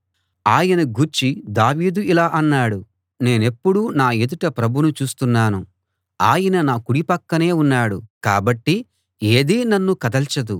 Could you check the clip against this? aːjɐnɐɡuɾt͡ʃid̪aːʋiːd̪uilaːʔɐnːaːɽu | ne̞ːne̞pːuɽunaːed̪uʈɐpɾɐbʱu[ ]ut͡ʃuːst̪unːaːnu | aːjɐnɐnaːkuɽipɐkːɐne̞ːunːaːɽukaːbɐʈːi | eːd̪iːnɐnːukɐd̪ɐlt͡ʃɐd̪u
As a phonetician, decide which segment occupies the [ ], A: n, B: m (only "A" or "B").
A